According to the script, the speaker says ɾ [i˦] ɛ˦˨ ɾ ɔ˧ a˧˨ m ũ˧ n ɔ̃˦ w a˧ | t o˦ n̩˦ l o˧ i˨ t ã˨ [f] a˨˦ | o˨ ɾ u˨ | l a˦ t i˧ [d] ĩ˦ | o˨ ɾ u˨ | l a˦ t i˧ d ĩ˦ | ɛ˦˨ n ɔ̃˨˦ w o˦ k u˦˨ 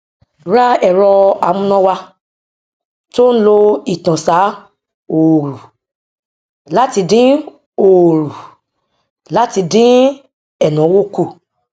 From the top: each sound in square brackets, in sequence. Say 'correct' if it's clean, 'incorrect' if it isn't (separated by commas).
incorrect, incorrect, correct